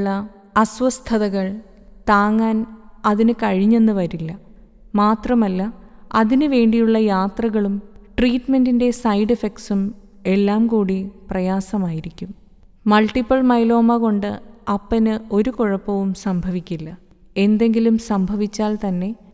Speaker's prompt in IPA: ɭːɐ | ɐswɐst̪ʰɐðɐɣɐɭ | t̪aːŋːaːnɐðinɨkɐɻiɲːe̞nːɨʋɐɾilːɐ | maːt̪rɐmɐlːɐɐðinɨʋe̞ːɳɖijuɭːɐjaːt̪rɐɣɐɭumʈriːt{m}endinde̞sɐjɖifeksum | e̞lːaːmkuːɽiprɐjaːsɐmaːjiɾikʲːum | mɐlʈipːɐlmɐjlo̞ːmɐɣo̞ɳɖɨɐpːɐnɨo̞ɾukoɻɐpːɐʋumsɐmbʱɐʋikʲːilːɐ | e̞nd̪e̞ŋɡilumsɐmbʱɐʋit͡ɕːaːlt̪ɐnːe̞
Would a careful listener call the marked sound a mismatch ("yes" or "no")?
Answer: no